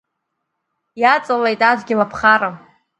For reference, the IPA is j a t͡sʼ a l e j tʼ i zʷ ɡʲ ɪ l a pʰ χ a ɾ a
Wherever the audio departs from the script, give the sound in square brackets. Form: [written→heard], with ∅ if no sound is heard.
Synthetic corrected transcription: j a t͡sʼ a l e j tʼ [i→a] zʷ ɡʲ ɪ l a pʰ χ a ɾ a

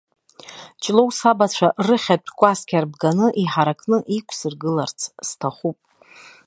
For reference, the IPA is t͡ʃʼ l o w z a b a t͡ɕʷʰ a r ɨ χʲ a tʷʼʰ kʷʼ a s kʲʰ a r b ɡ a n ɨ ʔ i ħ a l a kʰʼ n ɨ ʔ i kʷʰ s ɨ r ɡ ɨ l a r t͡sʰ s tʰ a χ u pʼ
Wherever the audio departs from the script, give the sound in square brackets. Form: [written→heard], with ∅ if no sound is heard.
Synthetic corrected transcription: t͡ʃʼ l o w [z→s] a b a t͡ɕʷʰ a r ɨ χʲ a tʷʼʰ kʷʼ a s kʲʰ a r b ɡ a n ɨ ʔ i ħ a [l→ɾ] a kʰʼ n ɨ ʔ i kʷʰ s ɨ r ɡ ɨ l a r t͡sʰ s tʰ a χ u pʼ

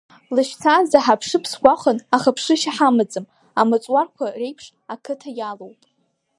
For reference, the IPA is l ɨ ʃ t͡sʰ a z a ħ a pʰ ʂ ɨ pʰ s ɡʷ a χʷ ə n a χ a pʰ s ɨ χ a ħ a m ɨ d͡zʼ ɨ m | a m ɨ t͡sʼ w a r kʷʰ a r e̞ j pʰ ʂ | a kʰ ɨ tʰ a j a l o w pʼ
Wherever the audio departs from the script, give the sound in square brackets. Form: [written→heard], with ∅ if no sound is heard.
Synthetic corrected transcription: l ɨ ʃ t͡sʰ a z a ħ a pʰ ʂ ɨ pʰ s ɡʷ a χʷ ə n a χ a pʰ [s→ʂ] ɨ [χ→ʃ] a ħ a m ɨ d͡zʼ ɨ m | a m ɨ t͡sʼ w a r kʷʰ a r e̞ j pʰ ʂ | a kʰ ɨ tʰ a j a l o w pʼ

